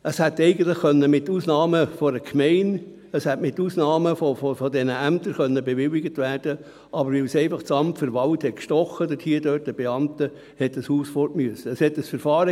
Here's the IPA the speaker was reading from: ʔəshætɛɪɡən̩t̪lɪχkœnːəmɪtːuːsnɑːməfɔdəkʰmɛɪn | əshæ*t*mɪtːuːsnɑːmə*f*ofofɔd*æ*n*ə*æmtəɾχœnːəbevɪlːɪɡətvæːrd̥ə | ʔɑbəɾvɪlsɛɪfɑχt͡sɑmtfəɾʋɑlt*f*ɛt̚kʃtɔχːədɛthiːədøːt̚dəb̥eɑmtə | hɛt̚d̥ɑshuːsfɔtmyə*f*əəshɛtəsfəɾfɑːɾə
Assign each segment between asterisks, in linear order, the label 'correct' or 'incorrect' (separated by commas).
correct, correct, incorrect, correct, incorrect, incorrect